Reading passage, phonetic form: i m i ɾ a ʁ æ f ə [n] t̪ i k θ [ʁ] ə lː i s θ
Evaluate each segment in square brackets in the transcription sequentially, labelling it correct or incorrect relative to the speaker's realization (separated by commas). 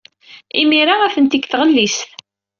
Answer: correct, correct